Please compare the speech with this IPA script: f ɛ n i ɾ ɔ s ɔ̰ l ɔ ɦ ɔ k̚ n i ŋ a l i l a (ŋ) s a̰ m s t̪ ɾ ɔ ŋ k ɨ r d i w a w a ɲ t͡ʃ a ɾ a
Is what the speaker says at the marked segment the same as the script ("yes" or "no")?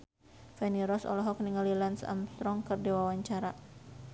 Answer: no